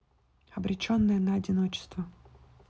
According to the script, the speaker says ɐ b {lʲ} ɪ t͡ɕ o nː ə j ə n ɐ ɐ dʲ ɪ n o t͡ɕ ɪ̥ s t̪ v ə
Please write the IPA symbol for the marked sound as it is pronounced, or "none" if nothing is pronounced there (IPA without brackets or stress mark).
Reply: ɾʲ